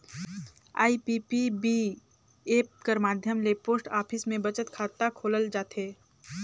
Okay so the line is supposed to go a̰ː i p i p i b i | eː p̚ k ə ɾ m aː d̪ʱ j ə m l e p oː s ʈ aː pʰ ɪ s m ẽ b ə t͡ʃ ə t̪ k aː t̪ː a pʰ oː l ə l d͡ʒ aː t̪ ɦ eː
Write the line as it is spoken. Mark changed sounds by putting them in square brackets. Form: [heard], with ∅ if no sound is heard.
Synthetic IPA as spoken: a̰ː i p i p i b i | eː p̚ k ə ɾ m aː d̪ʱ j ə m l e p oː s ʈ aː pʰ ɪ s m ẽ b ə t͡ʃ ə t̪ [kʰ] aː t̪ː a [kʰ] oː l ə l d͡ʒ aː t̪ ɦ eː